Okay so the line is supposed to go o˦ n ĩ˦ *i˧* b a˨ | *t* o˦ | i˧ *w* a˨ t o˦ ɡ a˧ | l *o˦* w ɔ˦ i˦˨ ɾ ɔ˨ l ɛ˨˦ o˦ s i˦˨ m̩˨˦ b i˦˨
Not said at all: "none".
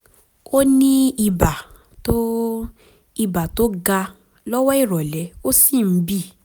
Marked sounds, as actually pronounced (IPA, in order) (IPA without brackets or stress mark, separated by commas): i˧, t, b, ɔ˦